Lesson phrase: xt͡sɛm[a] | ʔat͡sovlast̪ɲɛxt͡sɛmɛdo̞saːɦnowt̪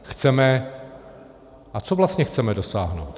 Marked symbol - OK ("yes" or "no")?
no